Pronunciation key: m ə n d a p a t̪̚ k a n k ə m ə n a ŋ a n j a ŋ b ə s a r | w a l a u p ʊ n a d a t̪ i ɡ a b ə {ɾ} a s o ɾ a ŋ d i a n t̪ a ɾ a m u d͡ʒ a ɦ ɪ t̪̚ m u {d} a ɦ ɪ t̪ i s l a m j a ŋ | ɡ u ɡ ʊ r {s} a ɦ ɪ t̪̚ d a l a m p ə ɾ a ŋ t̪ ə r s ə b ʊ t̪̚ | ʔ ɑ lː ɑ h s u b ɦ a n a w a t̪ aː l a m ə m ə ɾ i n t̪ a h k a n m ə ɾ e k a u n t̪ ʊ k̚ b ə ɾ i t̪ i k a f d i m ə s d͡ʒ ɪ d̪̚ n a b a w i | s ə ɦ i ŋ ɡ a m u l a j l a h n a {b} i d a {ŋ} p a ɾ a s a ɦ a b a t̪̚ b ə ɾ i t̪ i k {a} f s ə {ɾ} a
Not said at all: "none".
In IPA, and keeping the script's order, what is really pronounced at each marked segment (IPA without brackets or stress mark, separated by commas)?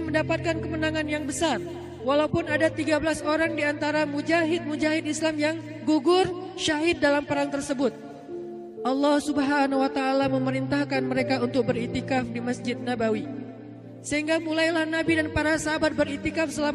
l, d͡ʒ, ʃ, b, n, a, l